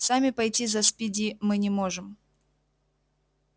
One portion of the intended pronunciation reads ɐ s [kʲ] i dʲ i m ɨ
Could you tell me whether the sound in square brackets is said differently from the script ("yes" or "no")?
yes